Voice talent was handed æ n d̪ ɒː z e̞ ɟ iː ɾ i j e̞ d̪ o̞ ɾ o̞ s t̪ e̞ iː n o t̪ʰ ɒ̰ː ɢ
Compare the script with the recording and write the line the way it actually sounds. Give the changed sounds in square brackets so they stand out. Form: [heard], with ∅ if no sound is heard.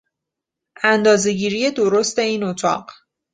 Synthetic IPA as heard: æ n d̪ ɒː z e̞ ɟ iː ɾ i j e̞ d̪ o̞ ɾ o̞ s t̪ e̞ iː n o t̪ʰ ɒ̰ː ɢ